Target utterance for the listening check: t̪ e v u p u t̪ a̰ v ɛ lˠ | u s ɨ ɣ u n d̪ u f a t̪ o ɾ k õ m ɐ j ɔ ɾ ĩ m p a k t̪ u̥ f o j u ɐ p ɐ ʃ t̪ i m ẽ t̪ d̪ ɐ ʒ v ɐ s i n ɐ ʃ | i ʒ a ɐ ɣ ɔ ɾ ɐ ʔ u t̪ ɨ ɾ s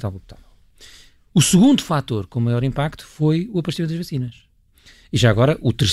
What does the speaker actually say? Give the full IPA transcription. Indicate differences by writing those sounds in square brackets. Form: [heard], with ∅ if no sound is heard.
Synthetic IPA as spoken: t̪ [a] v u p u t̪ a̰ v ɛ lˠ | u s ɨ ɣ [ũ] n d̪ u f a t̪ o ɾ k õ m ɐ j ɔ ɾ ĩ m p a k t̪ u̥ f o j u ɐ p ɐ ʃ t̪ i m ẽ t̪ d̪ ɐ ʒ v ɐ s i n ɐ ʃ | i ʒ a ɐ ɣ ɔ ɾ ɐ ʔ u t̪ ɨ ɾ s